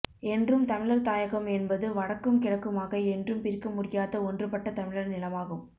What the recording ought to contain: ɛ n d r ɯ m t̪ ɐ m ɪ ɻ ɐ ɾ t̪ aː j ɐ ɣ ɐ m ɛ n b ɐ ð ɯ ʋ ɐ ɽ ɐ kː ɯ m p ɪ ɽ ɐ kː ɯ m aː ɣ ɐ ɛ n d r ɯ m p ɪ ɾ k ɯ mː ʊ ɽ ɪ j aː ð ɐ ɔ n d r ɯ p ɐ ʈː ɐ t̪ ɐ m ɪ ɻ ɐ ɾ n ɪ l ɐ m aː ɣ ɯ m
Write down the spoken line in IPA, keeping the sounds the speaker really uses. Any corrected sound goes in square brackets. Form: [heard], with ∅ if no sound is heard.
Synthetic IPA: ɛ n d r ɯ m t̪ ɐ m ɪ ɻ ɐ ɾ t̪ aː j ɐ ɣ ɐ m ɛ n b ɐ ð ɯ ʋ ɐ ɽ ɐ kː ɯ m [k] ɪ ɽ ɐ kː ɯ m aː ɣ ɐ ɛ n d r ɯ m p ɪ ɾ k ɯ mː ʊ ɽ ɪ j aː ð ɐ ɔ n d r ɯ p ɐ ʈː ɐ t̪ ɐ m ɪ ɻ ɐ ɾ n ɪ l ɐ m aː ɣ ɯ m

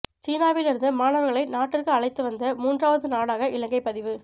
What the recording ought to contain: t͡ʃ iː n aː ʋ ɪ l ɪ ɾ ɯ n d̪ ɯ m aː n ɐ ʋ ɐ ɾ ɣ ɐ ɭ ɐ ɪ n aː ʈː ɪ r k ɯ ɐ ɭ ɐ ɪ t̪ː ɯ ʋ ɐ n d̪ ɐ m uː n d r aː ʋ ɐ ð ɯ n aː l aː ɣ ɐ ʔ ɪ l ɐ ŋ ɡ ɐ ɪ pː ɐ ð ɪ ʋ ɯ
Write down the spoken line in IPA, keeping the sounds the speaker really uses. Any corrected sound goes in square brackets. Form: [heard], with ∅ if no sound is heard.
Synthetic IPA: t͡ʃ iː n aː ʋ ɪ l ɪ ɾ ɯ n d̪ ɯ m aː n ɐ ʋ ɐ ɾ ɣ ɐ ɭ ɐ ɪ n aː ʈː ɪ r k ɯ ɐ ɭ ɐ ɪ t̪ː ɯ ʋ ɐ n d̪ ɐ m uː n d r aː ʋ ɐ ð ɯ n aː [ɽ] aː ɣ ɐ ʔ ɪ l ɐ ŋ ɡ ɐ ɪ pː ɐ ð ɪ ʋ ɯ

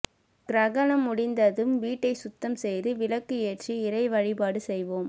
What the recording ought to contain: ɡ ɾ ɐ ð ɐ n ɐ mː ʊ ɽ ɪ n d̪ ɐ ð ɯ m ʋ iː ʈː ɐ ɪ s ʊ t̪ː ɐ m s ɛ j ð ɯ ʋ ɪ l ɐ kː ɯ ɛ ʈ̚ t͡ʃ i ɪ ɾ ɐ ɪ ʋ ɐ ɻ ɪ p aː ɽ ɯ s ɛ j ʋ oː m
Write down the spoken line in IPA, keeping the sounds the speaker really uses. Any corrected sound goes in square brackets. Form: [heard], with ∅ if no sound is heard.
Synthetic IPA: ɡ ɾ ɐ [ɣ] ɐ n ɐ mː ʊ ɽ ɪ n d̪ ɐ ð ɯ m ʋ iː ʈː ɐ ɪ s ʊ t̪ː ɐ m s ɛ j ð ɯ ʋ ɪ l ɐ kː ɯ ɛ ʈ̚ t͡ʃ i ɪ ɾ ɐ ɪ ʋ ɐ ɻ ɪ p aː ɽ ɯ s ɛ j ʋ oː m

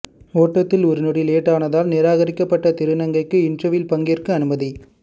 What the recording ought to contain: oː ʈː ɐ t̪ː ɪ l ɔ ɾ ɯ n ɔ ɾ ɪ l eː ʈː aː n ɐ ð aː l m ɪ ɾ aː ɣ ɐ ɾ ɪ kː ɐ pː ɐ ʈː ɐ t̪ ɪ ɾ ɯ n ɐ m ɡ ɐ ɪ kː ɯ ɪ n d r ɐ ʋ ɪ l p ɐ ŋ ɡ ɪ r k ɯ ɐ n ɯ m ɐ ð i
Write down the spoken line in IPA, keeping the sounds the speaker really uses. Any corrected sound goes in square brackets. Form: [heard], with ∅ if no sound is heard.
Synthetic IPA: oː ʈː ɐ t̪ː ɪ l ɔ ɾ ɯ n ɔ [ɽ] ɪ l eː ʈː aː n ɐ ð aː l [n] ɪ ɾ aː ɣ ɐ ɾ ɪ kː ɐ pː ɐ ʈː ɐ t̪ ɪ ɾ ɯ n ɐ [ŋ] ɡ ɐ ɪ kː ɯ ɪ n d r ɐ ʋ ɪ l p ɐ ŋ ɡ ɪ r k ɯ ɐ n ɯ m ɐ ð i

